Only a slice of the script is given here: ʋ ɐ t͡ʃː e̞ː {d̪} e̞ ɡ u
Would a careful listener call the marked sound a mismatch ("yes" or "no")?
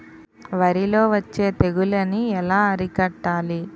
yes